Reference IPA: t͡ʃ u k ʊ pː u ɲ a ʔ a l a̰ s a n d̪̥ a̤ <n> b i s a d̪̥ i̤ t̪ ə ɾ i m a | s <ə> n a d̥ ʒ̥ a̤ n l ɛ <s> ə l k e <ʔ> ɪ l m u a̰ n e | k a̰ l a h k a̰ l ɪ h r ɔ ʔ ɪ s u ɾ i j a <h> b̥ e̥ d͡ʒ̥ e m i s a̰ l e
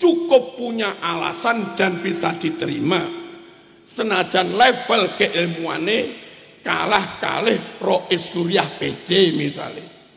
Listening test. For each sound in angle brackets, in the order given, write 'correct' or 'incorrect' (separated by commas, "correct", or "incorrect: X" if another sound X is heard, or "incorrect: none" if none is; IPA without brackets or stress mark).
correct, correct, incorrect: f, correct, correct